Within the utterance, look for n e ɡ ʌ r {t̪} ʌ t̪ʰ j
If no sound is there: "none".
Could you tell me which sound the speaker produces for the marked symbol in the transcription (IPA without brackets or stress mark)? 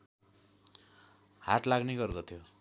d̪